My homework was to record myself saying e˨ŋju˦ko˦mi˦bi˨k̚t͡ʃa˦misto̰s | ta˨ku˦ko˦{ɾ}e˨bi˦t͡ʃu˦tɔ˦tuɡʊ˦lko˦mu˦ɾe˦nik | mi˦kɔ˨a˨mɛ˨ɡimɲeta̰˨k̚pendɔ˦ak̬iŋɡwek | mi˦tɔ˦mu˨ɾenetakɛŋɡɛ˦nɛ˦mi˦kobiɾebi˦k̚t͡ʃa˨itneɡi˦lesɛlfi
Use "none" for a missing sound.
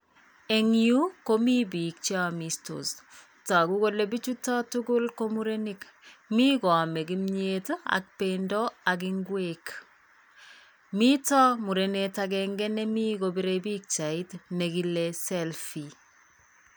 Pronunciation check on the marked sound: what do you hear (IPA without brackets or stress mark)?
l